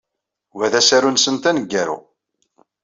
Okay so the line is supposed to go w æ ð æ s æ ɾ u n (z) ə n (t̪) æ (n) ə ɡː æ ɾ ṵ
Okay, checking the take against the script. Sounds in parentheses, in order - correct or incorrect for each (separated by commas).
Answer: incorrect, correct, correct